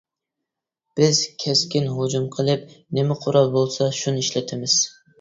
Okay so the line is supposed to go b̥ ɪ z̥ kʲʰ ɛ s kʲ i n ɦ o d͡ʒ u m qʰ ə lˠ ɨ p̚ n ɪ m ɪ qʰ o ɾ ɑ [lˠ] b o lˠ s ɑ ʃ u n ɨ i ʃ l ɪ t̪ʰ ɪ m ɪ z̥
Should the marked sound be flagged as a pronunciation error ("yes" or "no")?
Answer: no